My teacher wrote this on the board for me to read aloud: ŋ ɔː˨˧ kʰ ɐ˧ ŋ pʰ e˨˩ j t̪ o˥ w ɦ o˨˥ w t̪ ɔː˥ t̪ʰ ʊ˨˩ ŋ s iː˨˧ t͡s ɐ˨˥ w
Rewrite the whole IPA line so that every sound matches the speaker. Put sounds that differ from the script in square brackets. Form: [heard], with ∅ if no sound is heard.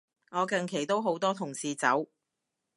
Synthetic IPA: ŋ ɔː˨˧ [k] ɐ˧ ŋ [kʰ] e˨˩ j t̪ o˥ w ɦ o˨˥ w t̪ ɔː˥ t̪ʰ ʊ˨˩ ŋ s iː˨˧ t͡s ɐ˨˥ w